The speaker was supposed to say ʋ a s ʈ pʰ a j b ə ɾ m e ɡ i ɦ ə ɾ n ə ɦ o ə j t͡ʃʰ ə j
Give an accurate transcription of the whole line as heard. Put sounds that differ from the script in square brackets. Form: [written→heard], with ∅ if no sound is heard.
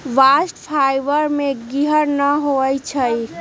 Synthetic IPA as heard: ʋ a s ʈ pʰ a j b ə ɾ m e ɡ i ɦ ə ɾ n ə ɦ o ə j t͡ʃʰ ə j

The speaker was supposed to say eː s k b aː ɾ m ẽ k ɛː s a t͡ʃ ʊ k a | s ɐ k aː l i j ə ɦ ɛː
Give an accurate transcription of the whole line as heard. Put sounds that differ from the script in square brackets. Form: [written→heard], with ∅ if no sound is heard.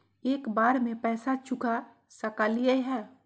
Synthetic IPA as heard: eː [s→∅] k b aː ɾ m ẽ [k→p] ɛː s a t͡ʃ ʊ k a | s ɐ k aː l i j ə ɦ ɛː

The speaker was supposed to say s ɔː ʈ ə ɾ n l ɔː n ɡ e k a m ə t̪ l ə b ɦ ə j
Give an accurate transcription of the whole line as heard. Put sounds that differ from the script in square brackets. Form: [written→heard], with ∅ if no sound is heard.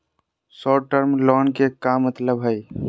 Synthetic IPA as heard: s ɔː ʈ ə ɾ [n→m] l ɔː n [ɡ→k] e k a m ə t̪ l ə b ɦ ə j

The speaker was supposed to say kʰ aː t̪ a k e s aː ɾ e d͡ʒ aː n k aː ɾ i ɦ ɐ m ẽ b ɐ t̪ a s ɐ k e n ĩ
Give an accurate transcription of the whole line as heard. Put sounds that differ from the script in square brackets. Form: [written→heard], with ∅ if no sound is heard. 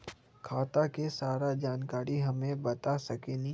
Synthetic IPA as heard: kʰ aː t̪ a k e s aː ɾ [e→a] d͡ʒ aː n k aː ɾ i ɦ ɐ m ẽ b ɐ t̪ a s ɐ k e n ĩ

